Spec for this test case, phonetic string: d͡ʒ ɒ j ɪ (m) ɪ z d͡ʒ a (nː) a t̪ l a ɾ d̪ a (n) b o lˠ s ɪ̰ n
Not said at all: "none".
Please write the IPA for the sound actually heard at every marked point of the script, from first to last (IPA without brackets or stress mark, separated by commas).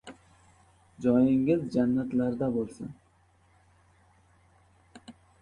ŋ, nː, none